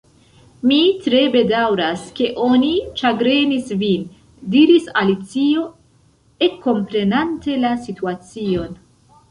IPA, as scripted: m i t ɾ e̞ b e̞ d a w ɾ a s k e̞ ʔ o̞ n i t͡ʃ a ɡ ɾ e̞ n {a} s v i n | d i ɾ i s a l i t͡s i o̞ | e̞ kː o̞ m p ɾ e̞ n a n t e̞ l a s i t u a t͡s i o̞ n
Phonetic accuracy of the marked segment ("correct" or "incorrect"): incorrect